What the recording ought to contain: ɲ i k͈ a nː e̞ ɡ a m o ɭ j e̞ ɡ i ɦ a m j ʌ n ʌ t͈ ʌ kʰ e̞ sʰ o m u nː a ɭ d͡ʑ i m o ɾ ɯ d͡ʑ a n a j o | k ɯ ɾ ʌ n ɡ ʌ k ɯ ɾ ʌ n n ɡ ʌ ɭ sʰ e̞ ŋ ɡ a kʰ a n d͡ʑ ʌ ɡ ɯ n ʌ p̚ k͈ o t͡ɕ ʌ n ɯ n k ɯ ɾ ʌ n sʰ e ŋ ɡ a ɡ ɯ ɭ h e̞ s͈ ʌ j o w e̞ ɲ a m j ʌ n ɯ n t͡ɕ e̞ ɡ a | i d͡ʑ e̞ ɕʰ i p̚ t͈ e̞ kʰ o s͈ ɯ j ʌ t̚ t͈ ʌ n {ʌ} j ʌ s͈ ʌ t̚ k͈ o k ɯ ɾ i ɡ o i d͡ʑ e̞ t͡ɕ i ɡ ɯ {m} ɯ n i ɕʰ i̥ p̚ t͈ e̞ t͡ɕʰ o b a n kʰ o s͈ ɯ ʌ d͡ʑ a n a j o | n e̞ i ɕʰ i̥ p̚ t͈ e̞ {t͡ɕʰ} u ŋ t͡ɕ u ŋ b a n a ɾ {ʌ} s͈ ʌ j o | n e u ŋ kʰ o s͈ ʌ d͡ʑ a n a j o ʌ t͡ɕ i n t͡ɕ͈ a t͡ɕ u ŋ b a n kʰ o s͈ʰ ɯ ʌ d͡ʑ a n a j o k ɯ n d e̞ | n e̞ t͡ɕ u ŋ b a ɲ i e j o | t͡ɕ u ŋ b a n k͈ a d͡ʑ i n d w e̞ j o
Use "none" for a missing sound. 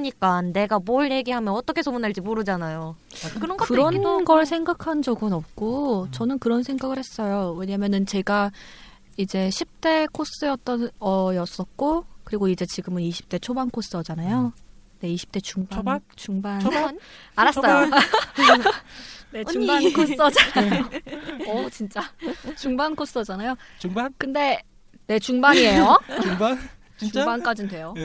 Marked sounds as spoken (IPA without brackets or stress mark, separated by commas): ʌ, m, t͡ɕ, a